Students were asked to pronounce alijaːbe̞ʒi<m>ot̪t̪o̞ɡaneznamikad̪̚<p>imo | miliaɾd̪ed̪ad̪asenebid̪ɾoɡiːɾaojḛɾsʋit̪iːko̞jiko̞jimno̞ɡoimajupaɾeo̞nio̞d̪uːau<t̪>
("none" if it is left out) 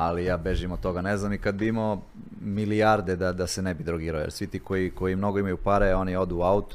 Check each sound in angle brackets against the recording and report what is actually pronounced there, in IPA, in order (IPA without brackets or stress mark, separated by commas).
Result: m, b, t̪